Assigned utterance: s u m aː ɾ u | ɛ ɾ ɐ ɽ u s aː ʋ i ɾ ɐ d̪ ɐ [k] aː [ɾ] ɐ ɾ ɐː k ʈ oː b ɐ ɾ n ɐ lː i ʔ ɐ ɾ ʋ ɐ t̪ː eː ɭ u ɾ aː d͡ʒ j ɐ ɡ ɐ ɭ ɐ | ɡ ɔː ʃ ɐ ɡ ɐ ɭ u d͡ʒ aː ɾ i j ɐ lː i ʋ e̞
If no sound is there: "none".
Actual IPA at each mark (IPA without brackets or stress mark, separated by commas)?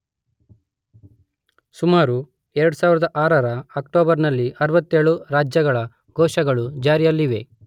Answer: ʔ, ɾ